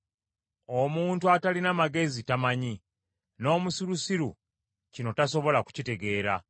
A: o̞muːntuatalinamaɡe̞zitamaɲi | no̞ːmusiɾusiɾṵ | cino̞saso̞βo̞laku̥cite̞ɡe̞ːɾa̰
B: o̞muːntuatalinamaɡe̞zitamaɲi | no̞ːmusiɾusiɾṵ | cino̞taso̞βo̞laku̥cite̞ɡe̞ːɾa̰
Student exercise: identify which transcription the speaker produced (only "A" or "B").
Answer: B